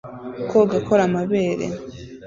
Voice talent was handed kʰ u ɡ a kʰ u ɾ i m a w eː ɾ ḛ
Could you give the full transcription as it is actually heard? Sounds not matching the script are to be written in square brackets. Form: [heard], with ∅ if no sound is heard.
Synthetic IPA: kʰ [o] ɡ a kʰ [o] ɾ [a] m a [β] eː ɾ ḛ